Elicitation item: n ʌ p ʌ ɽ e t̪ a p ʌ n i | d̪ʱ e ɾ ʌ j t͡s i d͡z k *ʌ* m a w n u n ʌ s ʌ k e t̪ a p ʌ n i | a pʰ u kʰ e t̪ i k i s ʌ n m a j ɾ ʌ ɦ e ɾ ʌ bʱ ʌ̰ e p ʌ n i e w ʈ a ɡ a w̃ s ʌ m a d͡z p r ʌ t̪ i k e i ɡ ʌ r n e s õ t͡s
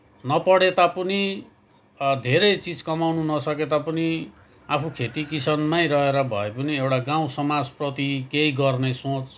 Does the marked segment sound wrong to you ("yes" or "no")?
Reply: no